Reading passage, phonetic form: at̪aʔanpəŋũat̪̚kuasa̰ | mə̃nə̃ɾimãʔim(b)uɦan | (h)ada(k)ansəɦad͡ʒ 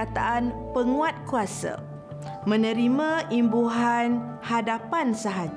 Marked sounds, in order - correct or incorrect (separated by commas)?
correct, correct, incorrect